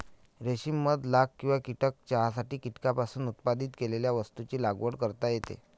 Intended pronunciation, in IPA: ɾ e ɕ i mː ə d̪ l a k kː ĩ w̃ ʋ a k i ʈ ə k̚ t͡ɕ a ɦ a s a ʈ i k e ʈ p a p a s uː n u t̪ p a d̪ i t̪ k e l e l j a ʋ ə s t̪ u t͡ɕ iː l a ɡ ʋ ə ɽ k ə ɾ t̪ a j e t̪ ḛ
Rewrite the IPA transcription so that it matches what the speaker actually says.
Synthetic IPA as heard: ɾ e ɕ i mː ə d̪ l a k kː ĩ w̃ ʋ a k i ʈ ə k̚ t͡ɕ a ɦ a s a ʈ iː k i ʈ k a p a s uː n u t̪ p a d̪ i t̪ k e l e l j a ʋ ə s t̪ u t͡ɕ iː l a ɡ ʋ ə ɽ k ə ɾ t̪ a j e t̪ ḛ